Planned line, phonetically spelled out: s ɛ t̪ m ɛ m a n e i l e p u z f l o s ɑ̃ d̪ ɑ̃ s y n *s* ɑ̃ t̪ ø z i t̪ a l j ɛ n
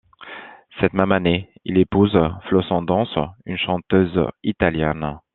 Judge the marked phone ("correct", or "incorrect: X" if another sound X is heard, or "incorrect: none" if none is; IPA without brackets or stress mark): incorrect: ʃ